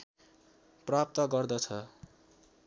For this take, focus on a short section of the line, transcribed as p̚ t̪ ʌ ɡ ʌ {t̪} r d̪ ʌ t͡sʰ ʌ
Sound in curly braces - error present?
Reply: yes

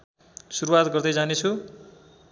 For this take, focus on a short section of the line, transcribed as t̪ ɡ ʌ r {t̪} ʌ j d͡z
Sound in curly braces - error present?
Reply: yes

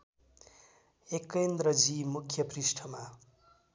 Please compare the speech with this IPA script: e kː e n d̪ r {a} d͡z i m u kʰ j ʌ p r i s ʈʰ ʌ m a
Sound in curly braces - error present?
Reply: yes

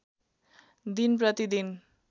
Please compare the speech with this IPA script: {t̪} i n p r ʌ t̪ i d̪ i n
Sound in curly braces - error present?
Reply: yes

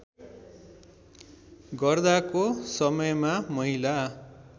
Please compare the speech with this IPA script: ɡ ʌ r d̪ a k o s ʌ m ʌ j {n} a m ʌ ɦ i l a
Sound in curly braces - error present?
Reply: yes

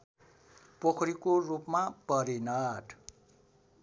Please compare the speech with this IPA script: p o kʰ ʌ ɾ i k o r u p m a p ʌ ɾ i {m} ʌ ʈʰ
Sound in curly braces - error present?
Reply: yes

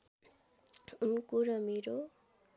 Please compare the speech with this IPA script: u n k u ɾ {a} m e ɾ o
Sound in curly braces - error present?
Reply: yes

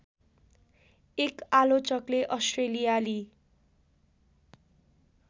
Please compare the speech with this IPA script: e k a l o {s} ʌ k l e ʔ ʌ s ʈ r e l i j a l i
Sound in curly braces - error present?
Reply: yes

